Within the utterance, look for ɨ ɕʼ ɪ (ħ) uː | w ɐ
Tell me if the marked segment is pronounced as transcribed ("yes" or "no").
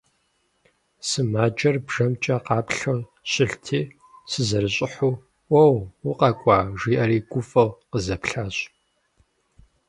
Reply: yes